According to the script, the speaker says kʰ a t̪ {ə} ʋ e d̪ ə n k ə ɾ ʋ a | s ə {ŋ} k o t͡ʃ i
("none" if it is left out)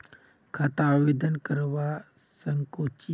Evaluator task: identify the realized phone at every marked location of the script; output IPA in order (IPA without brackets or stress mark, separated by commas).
a, ŋ